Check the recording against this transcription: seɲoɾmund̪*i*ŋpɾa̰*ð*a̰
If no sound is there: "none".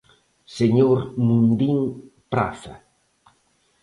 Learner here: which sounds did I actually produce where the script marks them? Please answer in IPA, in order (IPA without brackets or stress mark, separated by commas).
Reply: i, θ